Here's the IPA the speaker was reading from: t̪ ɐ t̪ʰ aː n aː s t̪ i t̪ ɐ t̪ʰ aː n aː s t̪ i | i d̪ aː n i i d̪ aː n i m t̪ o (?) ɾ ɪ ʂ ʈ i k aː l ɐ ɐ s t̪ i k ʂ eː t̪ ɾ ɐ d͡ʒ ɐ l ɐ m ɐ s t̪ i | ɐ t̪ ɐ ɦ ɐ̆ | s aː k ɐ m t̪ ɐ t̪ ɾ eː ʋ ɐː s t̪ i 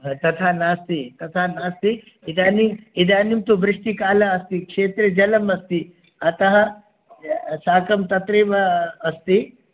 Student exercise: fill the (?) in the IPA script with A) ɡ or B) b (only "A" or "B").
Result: B